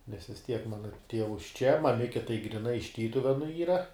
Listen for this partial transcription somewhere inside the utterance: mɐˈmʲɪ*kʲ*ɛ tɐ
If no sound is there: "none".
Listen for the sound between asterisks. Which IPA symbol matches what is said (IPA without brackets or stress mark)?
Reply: kʲ